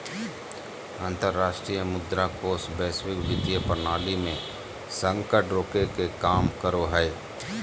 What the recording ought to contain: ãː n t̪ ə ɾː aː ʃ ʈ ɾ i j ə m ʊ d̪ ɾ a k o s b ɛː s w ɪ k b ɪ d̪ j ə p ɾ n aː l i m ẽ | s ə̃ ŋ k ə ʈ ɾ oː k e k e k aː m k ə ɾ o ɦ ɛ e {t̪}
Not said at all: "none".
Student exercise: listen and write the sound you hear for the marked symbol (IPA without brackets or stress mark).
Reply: none